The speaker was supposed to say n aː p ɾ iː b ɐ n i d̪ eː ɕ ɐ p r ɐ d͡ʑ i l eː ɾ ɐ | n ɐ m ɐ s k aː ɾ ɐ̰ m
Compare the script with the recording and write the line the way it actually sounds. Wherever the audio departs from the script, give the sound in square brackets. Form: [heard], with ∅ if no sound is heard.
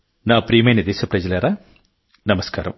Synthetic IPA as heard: n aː p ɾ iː [m] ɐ n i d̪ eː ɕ ɐ p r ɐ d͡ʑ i l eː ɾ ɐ | n ɐ m ɐ s k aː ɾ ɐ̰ m